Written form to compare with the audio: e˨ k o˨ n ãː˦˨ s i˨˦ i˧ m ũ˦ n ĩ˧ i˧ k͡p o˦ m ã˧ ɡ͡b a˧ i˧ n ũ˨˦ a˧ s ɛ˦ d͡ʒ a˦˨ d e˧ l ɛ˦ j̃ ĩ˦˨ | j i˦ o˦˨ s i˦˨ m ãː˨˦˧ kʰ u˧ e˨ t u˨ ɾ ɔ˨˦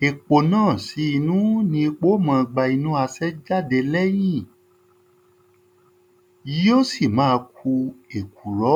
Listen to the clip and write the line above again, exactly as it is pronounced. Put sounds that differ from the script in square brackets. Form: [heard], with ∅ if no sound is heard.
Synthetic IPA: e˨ [k͡p] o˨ n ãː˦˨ s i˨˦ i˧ [n] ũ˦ n ĩ˧ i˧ k͡p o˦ m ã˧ ɡ͡b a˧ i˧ n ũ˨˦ a˧ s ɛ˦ d͡ʒ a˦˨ d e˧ l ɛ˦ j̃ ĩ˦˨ | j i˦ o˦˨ s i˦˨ m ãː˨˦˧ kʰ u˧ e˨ [k] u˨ ɾ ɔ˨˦